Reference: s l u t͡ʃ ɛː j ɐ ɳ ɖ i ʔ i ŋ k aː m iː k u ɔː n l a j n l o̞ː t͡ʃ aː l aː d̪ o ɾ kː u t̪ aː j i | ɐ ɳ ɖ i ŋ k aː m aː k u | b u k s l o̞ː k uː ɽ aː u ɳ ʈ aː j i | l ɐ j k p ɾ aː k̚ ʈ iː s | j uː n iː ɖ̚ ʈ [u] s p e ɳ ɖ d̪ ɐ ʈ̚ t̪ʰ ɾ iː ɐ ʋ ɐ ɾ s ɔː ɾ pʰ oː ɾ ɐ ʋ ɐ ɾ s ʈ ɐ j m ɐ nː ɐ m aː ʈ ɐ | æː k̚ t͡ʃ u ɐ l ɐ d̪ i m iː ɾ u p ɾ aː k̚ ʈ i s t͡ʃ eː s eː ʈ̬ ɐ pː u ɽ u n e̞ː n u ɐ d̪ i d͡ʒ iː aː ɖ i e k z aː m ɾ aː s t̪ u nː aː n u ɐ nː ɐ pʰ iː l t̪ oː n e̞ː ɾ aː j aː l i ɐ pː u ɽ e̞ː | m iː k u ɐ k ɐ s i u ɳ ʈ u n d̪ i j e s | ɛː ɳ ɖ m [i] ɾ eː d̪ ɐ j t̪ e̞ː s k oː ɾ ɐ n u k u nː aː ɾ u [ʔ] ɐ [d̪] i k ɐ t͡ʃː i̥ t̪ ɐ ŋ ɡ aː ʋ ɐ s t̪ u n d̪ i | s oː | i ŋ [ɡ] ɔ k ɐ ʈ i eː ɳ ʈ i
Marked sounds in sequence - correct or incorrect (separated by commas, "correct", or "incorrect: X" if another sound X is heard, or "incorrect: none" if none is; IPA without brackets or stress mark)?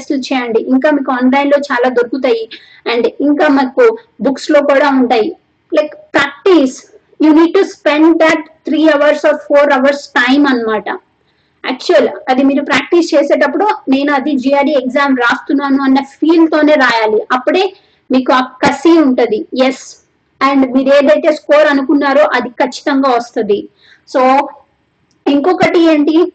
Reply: correct, incorrect: iː, correct, correct, incorrect: k